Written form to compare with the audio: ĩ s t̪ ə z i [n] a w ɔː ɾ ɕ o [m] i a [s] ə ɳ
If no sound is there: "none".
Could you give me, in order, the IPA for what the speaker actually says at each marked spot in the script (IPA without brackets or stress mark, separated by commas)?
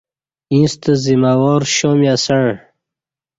m, m, s